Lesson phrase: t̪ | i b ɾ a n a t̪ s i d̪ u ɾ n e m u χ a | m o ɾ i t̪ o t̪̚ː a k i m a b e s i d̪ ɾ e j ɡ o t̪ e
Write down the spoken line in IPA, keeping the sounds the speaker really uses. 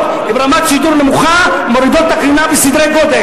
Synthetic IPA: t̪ | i b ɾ a m a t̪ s i d̪ u ɾ n e m u χ a | m o ɾ i d̪ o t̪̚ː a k i n a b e s i d̪ ɾ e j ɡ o d̪ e